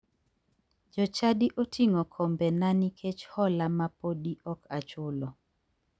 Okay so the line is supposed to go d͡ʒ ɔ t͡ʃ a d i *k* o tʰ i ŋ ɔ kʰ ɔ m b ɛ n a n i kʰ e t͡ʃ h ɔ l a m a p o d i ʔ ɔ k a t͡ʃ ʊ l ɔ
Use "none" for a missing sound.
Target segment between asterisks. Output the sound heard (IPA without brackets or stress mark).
ʔ